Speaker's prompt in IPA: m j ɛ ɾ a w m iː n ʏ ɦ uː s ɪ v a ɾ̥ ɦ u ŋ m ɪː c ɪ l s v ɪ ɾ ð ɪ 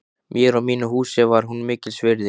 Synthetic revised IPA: m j ɛ ɾ a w m iː n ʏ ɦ uː s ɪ v a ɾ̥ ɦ u n m ɪː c ɪ l s v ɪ ɾ ð ɪ